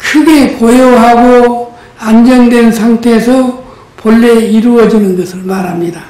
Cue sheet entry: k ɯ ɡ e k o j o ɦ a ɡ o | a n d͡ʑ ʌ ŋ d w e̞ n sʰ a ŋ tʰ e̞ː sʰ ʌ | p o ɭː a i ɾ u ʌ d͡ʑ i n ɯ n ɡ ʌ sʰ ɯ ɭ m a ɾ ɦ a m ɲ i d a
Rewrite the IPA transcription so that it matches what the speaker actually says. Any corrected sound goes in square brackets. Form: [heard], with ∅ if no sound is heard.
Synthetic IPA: [kʰ] ɯ ɡ e k o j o ɦ a ɡ o | a n d͡ʑ ʌ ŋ d w e̞ n sʰ a ŋ tʰ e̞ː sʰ ʌ | p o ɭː [e] i ɾ u ʌ d͡ʑ i n ɯ n ɡ ʌ sʰ ɯ ɭ m a ɾ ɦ a m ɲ i d a

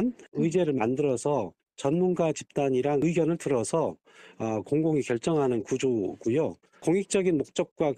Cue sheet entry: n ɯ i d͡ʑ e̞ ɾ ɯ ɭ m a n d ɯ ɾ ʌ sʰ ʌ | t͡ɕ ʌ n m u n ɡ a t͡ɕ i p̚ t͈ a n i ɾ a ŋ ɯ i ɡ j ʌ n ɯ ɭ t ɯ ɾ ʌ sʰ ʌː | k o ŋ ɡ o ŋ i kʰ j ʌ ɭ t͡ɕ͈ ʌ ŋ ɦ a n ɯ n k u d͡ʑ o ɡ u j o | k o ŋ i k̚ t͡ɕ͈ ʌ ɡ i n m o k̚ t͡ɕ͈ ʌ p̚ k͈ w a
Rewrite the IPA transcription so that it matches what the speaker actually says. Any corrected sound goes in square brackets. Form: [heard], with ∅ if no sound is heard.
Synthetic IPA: n ɯ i d͡ʑ e̞ ɾ ɯ ɭ m a n d ɯ ɾ ʌ sʰ ʌ | t͡ɕ ʌ n m u n ɡ a t͡ɕ i p̚ t͈ a [ɲ] i ɾ a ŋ ɯ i ɡ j ʌ n ɯ ɭ t ɯ ɾ ʌ sʰ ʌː | k o ŋ ɡ o ŋ i [k] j ʌ ɭ t͡ɕ͈ ʌ ŋ ɦ a n ɯ n k u d͡ʑ o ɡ u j o | k o ŋ i k̚ t͡ɕ͈ ʌ ɡ i n m o k̚ t͡ɕ͈ ʌ [k̚] k͈ w a

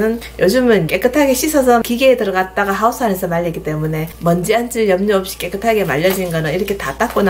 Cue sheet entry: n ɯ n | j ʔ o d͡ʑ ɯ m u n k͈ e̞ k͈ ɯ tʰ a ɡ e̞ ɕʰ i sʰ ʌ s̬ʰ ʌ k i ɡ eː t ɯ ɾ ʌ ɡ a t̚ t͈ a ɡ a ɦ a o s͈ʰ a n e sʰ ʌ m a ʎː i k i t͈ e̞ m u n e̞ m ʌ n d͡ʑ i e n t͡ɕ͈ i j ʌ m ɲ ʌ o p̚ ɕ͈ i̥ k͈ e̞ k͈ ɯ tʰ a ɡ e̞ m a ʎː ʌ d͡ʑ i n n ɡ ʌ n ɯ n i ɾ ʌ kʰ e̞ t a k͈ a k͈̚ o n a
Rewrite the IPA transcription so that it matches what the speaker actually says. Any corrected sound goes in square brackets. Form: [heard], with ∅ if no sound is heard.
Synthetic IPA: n ɯ n | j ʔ o d͡ʑ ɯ m [ɯ] n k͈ e̞ k͈ ɯ tʰ a ɡ e̞ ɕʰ i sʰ ʌ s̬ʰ ʌ k i ɡ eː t ɯ ɾ ʌ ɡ a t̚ t͈ a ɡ a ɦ a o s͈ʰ a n e sʰ ʌ m a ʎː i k i t͈ e̞ m u n e̞ m ʌ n d͡ʑ i [a] n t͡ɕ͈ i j ʌ m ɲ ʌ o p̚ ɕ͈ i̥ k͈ e̞ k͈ ɯ tʰ a ɡ e̞ m a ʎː ʌ d͡ʑ i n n ɡ ʌ n ɯ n i ɾ ʌ kʰ e̞ t a [t͈] a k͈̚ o n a

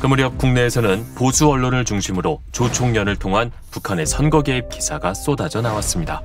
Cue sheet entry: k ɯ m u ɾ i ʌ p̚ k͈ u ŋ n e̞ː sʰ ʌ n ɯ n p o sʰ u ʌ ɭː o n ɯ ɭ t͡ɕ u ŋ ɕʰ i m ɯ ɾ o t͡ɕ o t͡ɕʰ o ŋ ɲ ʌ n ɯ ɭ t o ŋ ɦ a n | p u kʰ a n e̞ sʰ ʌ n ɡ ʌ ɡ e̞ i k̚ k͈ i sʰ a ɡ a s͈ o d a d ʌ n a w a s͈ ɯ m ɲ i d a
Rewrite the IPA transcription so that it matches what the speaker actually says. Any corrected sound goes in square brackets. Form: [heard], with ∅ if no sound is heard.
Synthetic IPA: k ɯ m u ɾ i ʌ p̚ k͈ u ŋ n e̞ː sʰ ʌ n ɯ n p o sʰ u ʌ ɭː o n ɯ ɭ t͡ɕ u ŋ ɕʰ i m ɯ ɾ o t͡ɕ o t͡ɕʰ o ŋ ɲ ʌ n ɯ ɭ [tʰ] o ŋ ɦ a n | p u kʰ a n e̞ sʰ ʌ n ɡ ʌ ɡ e̞ i [p̚] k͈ i sʰ a ɡ a s͈ o d a [d͡ʑ] ʌ n a w a s͈ ɯ m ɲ i d a

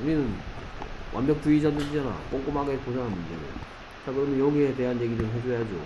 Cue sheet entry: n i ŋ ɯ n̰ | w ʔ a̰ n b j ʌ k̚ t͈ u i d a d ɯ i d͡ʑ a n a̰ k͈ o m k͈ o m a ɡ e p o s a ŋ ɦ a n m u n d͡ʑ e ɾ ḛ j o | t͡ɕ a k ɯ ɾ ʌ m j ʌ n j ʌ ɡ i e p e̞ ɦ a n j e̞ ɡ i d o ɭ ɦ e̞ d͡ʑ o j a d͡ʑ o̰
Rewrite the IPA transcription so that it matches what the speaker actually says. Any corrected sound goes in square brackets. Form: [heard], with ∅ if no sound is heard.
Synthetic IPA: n i [n] ɯ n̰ | w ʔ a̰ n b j ʌ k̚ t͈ u i [d͡ʑ] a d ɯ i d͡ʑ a n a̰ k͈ o [ŋ] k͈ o m a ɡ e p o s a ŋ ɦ a n m u n d͡ʑ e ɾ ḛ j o | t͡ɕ a k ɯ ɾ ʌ m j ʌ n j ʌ ɡ i e [t] e̞ ɦ a n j e̞ ɡ i d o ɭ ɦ e̞ d͡ʑ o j a d͡ʑ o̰

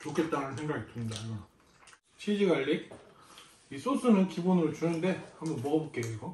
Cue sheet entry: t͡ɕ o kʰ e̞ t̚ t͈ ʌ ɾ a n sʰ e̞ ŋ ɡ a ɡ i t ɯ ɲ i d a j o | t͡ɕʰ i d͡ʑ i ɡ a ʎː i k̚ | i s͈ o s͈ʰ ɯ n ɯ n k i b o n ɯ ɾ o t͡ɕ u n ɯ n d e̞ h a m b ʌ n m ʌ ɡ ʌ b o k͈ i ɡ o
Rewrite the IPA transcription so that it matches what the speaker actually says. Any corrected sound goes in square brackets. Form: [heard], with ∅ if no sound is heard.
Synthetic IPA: t͡ɕ o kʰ e̞ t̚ t͈ [a] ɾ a n sʰ e̞ ŋ ɡ a ɡ i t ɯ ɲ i d a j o | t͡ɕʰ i d͡ʑ i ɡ a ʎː i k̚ | i s͈ o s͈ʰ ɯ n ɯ n k i b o n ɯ ɾ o t͡ɕ u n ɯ n d e̞ h a m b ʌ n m ʌ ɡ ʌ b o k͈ [e] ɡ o

